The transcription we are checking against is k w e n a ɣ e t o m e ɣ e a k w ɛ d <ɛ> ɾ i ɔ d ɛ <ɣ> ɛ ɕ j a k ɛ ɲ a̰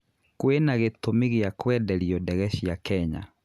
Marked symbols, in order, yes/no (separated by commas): yes, yes